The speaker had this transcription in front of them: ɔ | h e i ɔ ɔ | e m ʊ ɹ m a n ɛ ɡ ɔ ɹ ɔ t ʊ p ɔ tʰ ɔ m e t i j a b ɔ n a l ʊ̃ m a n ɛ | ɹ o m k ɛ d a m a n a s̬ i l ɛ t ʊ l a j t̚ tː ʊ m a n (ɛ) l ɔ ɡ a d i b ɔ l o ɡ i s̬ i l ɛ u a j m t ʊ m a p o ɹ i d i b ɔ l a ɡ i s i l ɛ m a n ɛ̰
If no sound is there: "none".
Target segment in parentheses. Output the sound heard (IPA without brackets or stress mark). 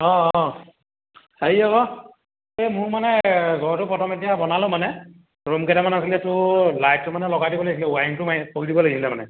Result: ɛ